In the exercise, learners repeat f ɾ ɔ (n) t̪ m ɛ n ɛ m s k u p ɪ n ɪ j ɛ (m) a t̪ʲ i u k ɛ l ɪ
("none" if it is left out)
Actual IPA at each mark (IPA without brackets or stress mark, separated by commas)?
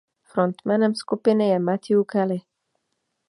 n, m